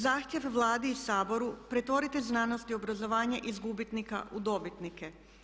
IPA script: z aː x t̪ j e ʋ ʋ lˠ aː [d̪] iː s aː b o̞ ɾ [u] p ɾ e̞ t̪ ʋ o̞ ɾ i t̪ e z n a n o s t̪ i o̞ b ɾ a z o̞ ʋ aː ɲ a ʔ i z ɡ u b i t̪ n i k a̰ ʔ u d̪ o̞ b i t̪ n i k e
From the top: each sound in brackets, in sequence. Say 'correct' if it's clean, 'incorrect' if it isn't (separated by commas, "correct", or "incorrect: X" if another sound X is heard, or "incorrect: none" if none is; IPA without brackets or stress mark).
correct, correct